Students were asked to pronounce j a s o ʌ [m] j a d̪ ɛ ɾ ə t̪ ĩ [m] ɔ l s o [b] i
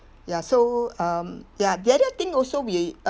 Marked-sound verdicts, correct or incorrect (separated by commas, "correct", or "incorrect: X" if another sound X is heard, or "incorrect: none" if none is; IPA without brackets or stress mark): correct, incorrect: ŋ, incorrect: w